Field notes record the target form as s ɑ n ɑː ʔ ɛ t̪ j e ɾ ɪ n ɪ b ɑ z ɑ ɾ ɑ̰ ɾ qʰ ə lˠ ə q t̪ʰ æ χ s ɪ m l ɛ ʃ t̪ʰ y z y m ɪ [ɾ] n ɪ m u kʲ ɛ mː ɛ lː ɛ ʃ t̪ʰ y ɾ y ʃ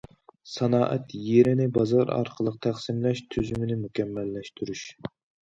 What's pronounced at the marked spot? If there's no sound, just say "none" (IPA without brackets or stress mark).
none